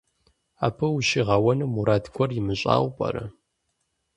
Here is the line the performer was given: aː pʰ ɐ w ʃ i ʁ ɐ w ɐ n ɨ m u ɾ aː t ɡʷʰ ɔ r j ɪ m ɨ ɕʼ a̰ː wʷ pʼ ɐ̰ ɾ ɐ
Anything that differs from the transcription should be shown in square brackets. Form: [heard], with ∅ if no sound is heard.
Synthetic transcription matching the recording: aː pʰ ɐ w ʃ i ʁ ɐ w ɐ n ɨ m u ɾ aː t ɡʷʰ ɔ r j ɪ m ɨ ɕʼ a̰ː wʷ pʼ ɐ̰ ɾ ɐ